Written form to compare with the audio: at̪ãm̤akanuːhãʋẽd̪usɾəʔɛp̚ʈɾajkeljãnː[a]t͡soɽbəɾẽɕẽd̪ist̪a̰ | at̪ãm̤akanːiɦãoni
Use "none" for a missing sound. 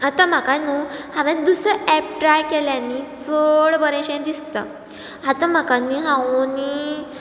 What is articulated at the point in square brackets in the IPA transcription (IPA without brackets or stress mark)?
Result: i